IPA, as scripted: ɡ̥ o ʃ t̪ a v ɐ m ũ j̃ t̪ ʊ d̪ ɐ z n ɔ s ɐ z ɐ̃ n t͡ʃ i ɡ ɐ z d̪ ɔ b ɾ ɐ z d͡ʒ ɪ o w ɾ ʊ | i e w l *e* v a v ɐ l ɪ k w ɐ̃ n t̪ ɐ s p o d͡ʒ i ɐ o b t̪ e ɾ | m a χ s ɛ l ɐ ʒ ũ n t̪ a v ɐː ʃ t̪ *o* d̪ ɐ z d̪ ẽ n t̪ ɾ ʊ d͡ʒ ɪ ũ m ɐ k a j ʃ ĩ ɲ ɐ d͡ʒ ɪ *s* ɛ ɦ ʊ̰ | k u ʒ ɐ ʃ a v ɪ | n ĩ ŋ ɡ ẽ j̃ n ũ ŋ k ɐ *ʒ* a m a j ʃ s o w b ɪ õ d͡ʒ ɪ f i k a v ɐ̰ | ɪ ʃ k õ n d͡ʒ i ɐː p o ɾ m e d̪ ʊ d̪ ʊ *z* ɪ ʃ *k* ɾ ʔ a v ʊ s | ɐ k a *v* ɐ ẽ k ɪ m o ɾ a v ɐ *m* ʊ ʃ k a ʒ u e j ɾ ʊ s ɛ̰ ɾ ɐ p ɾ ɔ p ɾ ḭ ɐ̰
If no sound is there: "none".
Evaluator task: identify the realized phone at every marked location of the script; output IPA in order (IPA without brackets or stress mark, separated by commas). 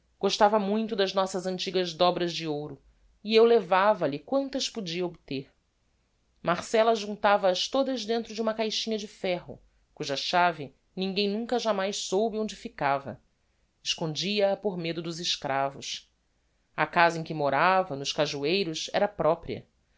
e, o, f, ʒ, z, k, z, n